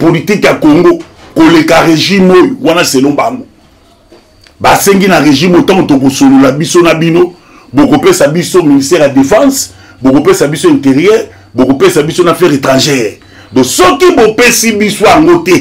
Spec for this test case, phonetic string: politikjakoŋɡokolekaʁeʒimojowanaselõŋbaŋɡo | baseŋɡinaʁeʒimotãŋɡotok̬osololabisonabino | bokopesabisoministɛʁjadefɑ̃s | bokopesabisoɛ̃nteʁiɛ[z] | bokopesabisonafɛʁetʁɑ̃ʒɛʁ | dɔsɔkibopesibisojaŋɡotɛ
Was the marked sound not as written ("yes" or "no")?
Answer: yes